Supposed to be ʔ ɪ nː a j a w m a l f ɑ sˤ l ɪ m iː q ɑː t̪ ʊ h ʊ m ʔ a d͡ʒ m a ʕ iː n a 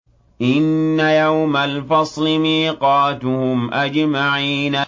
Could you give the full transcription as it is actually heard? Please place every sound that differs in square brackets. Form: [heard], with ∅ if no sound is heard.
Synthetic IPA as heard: ʔ ɪ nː a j a w m a l f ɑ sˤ l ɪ m iː q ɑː t̪ ʊ h ʊ m ʔ a d͡ʒ m a ʕ iː n a